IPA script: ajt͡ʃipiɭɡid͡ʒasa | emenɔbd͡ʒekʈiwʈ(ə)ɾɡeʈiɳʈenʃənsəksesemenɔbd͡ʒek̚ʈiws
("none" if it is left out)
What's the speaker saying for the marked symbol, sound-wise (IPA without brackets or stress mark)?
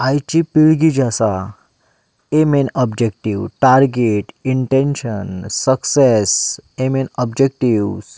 a